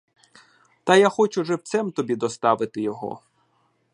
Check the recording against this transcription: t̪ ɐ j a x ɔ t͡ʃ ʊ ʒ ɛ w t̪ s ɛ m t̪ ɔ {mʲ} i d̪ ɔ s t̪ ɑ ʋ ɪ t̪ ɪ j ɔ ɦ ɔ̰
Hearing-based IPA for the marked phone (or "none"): bʲ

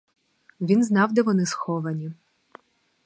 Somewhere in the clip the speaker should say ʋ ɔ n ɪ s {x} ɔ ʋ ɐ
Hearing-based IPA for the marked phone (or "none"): x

